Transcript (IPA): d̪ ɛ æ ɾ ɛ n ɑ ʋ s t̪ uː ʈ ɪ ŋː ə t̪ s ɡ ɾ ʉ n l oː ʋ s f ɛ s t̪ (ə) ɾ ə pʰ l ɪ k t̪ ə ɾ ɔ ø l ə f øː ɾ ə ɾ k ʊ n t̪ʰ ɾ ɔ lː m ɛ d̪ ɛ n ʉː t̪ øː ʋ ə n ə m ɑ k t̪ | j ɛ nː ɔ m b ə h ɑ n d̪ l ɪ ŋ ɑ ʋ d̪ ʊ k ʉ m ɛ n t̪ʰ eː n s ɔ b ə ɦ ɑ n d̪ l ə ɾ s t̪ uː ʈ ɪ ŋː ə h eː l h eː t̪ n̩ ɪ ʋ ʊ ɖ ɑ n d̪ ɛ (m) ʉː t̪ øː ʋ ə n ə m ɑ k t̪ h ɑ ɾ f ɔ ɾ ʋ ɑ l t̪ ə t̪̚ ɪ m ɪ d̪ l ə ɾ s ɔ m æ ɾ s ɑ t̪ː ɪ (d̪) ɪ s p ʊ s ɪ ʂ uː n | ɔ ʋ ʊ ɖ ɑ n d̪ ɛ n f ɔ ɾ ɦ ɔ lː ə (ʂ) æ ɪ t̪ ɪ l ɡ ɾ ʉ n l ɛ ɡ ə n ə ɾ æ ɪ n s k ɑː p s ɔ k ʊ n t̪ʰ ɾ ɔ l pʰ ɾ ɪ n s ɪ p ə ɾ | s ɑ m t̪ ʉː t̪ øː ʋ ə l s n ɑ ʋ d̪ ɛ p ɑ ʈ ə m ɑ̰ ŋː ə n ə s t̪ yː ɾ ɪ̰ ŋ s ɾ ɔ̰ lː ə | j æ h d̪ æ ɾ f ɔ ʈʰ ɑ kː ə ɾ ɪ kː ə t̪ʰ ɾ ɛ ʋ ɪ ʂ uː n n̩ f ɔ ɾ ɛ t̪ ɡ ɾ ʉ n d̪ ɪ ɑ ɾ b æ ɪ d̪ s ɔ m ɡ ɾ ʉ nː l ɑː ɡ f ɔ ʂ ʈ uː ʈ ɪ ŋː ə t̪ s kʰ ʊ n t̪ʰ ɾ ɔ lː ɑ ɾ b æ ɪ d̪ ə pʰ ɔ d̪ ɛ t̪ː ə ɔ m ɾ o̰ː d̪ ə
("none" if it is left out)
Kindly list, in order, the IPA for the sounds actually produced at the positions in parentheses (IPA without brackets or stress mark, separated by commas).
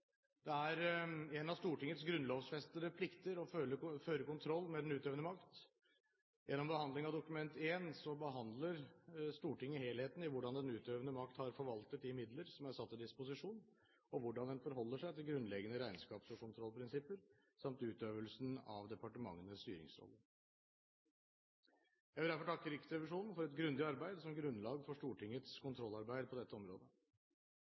ə, n, d̪, ʂ